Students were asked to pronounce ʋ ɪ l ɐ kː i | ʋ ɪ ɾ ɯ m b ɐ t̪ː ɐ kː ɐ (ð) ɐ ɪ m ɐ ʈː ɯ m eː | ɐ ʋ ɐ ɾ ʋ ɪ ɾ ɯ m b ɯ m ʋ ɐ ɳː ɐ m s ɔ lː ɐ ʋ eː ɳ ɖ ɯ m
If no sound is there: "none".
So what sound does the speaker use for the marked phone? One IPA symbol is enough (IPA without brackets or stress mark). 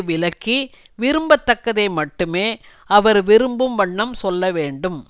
ð